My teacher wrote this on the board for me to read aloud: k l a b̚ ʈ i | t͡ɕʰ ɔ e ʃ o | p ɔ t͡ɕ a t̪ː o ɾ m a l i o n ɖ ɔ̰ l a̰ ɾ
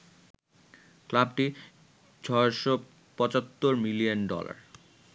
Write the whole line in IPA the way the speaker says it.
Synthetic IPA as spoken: k l a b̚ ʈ i | t͡ɕʰ ɔ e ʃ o | p ɔ t͡ɕ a t̪ː o ɾ m i l i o n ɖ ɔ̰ l a̰ ɾ